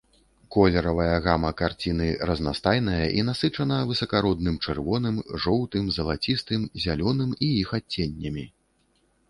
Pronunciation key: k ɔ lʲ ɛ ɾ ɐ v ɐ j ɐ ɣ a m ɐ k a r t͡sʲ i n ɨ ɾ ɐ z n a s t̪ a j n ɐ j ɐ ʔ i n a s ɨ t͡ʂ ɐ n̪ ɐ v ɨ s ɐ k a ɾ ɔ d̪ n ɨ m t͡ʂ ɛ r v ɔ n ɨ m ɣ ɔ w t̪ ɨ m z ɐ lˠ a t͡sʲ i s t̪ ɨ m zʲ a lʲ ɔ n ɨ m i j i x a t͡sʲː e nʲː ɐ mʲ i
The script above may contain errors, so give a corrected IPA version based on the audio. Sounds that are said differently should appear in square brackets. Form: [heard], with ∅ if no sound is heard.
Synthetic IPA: k ɔ lʲ ɛ ɾ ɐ v ɐ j ɐ ɣ a m ɐ k a r t͡sʲ i n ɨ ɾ ɐ z n a s t̪ a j n ɐ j ɐ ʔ i n a s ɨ t͡ʂ ɐ n̪ ɐ v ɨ s ɐ k a ɾ ɔ d̪ n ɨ m t͡ʂ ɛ r v ɔ n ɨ m [ʐ] ɔ w t̪ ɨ m z ɐ lˠ a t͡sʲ i s t̪ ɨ m zʲ a lʲ ɔ n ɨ m i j i x a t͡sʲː e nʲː ɐ mʲ i